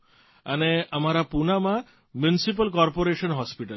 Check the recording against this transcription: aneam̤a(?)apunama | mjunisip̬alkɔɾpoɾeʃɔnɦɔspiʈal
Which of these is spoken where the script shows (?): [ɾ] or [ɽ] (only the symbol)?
ɾ